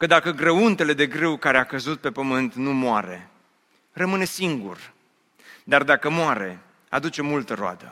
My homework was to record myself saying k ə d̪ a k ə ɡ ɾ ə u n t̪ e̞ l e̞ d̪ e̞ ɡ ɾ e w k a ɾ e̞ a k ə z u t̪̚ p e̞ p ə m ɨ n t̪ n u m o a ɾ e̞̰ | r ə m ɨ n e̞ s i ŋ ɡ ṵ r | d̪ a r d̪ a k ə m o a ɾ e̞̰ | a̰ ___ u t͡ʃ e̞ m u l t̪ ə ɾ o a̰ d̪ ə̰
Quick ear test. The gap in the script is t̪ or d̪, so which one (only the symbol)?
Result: d̪